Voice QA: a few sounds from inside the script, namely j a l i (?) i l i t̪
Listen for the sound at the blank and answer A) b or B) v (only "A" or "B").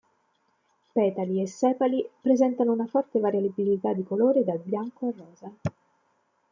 A